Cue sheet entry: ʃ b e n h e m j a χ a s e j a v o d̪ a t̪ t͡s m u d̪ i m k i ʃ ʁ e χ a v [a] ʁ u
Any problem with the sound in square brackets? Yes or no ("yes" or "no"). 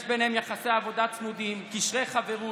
yes